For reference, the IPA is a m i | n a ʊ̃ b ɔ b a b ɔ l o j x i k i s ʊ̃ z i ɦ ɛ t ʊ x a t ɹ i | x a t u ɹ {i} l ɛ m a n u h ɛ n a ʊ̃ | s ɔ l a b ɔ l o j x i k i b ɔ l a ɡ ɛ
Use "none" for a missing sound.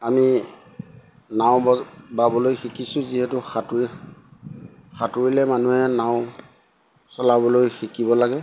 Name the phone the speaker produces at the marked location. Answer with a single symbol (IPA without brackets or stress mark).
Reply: i